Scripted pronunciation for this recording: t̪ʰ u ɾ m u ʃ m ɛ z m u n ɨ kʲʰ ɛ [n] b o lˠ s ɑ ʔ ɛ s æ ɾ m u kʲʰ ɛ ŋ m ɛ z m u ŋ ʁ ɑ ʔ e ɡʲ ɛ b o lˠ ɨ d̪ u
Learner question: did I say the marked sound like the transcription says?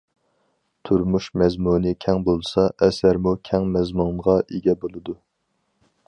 no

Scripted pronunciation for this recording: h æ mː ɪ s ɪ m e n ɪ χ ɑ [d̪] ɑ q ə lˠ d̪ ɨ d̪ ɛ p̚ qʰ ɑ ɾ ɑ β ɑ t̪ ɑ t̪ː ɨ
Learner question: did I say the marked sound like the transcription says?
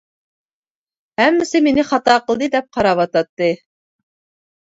no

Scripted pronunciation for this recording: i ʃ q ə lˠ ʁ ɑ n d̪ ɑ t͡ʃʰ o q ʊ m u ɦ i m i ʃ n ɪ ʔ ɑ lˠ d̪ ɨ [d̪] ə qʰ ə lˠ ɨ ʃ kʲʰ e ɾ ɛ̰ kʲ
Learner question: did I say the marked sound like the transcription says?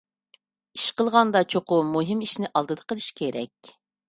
yes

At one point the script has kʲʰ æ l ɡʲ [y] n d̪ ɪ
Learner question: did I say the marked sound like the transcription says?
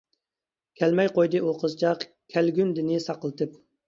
yes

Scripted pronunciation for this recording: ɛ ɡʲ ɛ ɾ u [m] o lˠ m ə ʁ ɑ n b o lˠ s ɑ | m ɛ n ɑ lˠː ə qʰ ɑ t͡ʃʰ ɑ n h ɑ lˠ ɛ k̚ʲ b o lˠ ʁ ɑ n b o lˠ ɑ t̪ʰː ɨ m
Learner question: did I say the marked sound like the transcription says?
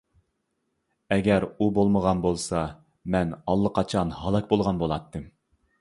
no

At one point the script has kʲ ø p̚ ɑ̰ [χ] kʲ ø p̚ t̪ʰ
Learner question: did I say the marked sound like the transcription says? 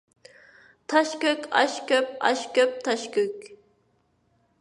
no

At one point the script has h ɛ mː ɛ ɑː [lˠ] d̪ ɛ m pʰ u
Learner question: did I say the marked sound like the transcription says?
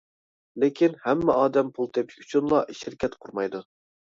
no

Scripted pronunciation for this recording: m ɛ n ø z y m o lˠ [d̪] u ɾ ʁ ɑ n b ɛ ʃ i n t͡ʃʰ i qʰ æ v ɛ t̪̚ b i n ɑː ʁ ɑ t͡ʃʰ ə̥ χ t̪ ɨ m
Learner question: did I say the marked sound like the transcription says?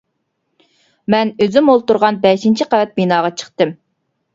no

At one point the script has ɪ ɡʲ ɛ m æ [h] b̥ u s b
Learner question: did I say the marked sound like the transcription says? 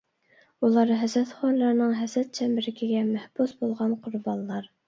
yes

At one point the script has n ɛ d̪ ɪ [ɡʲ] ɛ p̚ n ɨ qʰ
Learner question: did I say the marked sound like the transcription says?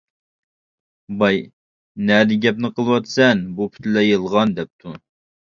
yes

